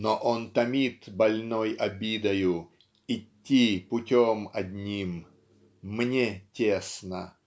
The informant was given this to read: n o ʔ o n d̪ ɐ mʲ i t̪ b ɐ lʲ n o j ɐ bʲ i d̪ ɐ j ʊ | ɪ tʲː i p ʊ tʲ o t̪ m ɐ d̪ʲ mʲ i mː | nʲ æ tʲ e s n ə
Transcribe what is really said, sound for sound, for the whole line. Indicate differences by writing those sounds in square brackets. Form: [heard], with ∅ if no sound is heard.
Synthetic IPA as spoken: n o ʔ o n [t̪] ɐ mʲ i t̪ b ɐ lʲ n o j ɐ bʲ i d̪ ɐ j ʊ | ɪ tʲː i p ʊ tʲ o [∅] m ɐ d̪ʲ [nʲ] i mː | nʲ [e] tʲ e s n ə